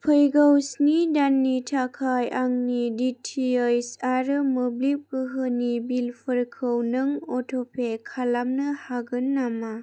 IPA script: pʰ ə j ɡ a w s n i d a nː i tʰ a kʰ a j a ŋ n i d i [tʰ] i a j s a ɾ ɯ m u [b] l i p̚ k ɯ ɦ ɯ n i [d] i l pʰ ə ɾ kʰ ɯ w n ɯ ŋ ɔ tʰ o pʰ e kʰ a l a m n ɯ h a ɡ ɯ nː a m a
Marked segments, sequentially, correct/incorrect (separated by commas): correct, correct, incorrect